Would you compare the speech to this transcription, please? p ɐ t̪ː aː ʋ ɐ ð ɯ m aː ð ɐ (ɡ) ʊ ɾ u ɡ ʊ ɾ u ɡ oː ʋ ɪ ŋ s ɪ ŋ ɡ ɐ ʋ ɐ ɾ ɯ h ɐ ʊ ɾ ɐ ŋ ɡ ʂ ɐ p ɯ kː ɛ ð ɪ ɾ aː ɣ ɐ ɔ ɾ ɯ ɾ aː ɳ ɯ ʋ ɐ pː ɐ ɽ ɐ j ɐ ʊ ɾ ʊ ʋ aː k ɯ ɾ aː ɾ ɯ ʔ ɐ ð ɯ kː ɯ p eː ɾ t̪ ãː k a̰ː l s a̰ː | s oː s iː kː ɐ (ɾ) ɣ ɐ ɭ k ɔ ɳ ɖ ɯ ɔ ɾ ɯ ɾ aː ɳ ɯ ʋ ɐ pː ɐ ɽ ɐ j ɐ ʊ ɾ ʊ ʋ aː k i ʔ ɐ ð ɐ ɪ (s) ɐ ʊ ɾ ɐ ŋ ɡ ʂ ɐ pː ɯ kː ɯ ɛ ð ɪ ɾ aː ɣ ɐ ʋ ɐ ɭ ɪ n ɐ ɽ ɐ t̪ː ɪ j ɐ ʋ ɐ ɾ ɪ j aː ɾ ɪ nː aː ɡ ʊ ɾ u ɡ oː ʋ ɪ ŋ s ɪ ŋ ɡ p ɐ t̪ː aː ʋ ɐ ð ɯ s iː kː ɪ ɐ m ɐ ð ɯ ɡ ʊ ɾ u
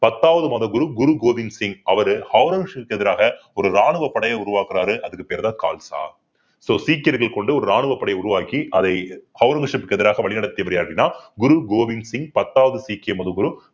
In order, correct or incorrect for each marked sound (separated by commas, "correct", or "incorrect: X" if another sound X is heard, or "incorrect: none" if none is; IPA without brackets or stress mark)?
correct, correct, incorrect: h